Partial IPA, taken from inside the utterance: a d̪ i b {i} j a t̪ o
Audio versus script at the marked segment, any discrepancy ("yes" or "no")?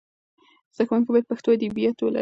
no